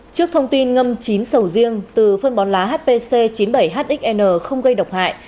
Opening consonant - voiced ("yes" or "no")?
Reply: no